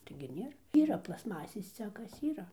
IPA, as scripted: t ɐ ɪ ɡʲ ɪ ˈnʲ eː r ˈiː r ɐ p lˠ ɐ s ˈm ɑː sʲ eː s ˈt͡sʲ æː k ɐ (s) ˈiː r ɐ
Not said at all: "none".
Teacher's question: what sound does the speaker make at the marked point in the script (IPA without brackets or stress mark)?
s